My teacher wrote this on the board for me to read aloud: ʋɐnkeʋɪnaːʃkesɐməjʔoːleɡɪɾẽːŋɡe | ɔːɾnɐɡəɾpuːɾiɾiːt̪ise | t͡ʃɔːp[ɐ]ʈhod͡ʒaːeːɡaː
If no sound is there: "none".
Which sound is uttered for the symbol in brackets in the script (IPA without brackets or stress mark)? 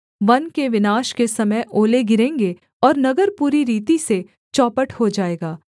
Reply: ə